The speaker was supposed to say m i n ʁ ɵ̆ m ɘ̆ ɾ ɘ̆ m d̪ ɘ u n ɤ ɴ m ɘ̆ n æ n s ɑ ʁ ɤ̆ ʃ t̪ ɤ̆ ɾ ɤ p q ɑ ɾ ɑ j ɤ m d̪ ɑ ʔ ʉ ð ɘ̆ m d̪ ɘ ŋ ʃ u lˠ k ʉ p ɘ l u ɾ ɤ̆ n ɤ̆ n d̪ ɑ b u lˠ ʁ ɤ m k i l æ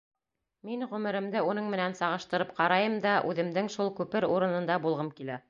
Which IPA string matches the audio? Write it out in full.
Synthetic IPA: m i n ʁ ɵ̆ m ɘ̆ ɾ ɘ̆ m d̪ ɘ u n ɤ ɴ m ɘ̆ n æ n s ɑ ʁ ɤ̆ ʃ t̪ ɤ̆ ɾ ɤ p q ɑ ɾ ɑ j ɤ m d̪ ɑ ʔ ʉ ð ɘ̆ m d̪ ɘ ŋ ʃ u lˠ k ʉ p ɘ ɾ u ɾ ɤ̆ n ɤ̆ n d̪ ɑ b u lˠ ʁ ɤ m k i l æ